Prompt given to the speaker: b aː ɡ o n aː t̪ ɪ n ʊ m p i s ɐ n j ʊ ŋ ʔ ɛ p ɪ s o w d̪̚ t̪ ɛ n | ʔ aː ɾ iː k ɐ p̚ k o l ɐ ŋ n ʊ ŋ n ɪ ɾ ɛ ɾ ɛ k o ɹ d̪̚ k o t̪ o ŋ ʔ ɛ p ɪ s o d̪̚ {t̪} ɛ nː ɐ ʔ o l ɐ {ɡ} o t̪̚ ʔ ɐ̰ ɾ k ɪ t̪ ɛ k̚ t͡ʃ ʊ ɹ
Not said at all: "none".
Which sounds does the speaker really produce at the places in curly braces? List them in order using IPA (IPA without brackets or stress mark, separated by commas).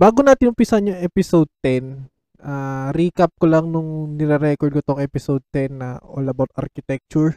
t̪, b